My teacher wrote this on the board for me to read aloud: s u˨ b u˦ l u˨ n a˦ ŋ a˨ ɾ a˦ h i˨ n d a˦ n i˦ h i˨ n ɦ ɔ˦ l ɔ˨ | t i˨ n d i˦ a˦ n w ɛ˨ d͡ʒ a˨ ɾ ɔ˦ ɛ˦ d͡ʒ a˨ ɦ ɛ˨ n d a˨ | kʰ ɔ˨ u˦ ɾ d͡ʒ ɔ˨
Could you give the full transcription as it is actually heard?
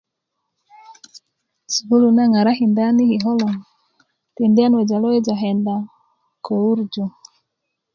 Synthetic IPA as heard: s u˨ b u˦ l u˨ n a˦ ŋ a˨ ɾ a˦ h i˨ n d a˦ n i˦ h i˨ ɦ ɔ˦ l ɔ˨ | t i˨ n d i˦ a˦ n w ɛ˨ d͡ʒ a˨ l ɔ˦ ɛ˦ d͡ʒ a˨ ɦ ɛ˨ n d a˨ | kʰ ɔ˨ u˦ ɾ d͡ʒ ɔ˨